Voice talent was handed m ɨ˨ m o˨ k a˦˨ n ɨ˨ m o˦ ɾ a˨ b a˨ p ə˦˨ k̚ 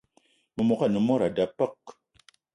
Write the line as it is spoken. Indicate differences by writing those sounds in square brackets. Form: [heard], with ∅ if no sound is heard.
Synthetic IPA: m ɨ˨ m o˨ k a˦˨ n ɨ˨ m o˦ ɾ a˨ [d] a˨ p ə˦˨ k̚